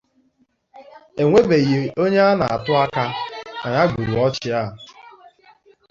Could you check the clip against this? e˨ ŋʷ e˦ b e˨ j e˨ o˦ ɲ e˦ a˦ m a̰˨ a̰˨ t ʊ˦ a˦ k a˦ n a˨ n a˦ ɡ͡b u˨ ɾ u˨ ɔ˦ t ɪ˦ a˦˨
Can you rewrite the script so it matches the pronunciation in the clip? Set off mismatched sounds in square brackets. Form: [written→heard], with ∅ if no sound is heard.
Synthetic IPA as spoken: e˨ ŋʷ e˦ b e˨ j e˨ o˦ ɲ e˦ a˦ [m→n] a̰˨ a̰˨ t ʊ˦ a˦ k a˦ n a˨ [n→ɲ] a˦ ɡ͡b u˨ ɾ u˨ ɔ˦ [t→t͡ʃ] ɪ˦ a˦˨

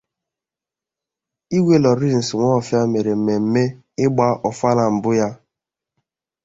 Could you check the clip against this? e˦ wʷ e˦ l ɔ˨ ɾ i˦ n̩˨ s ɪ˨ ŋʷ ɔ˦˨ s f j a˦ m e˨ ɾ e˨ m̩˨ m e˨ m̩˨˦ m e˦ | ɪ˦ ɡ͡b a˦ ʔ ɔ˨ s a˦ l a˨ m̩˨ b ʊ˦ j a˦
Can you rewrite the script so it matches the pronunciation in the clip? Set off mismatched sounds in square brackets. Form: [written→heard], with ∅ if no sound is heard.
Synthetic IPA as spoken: [e˦→i˦] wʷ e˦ l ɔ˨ ɾ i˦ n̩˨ s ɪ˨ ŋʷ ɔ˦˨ [s→∅] f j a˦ m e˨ ɾ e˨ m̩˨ m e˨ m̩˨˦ m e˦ | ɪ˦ ɡ͡b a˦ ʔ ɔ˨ [s→f] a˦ l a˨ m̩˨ b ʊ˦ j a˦

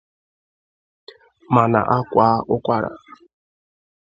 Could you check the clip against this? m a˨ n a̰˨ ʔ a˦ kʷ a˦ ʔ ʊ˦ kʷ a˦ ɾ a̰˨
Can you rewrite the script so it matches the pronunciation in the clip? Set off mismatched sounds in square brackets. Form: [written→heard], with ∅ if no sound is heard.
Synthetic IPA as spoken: m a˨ n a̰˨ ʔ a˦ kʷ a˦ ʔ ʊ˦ kʷ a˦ ɾ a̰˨

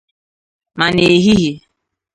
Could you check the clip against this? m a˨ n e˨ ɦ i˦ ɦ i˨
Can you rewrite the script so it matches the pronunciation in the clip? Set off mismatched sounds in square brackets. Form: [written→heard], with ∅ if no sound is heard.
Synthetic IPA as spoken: m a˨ n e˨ ɦ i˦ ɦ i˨

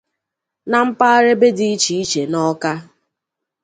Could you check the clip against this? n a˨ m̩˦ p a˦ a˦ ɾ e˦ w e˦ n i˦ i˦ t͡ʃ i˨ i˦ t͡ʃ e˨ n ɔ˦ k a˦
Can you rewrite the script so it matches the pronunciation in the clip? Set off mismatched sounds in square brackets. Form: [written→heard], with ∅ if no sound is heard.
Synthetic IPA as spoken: n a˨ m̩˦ p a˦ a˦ ɾ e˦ [w→b] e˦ [n→d] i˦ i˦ t͡ʃ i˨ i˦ t͡ʃ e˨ n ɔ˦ k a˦

